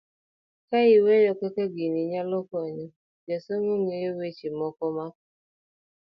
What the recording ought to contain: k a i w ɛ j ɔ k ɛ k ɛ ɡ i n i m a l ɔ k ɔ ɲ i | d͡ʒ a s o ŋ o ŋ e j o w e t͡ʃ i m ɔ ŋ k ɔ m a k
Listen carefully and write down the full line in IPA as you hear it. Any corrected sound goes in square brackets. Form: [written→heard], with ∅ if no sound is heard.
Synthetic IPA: k a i w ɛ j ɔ k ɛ k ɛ ɡ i n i [m→ɲ] a l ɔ k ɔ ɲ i | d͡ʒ a s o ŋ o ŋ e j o w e t͡ʃ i m ɔ [ŋ→∅] k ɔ m a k